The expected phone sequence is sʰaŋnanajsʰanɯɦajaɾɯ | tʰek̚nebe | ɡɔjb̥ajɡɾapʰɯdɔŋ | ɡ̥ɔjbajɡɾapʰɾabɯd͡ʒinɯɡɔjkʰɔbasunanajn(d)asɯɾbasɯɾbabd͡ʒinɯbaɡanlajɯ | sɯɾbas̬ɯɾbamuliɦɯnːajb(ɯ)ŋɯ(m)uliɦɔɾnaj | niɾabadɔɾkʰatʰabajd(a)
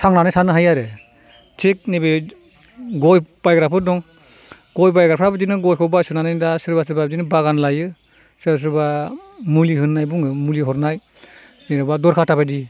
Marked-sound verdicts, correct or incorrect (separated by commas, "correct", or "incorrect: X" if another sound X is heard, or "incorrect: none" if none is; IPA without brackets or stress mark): correct, incorrect: u, correct, incorrect: i